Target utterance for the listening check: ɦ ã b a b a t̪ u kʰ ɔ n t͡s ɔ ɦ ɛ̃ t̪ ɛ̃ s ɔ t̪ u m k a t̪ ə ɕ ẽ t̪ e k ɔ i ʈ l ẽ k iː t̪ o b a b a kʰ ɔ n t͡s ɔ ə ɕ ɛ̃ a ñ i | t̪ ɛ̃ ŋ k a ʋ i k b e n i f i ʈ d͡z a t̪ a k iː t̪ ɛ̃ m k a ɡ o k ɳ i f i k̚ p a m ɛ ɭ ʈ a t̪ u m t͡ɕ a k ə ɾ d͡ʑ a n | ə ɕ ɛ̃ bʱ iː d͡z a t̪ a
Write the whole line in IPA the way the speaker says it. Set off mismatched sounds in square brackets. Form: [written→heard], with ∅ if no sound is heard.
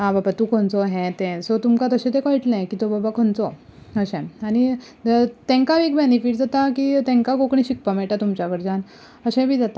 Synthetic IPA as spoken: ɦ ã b a b a t̪ u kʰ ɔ n t͡s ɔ ɦ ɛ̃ t̪ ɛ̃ s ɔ t̪ u m k a t̪ ə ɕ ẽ t̪ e k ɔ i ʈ l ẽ k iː t̪ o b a b a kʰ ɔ n t͡s ɔ ə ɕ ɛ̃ a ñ i | t̪ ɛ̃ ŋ k a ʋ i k b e n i f i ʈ d͡z a t̪ a k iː t̪ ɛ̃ [m→ŋ] k a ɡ o k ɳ i [f→ɕ] i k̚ p a m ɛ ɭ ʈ a t̪ u m t͡ɕ a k ə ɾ d͡ʑ a n | ə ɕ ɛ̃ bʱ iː d͡z a t̪ a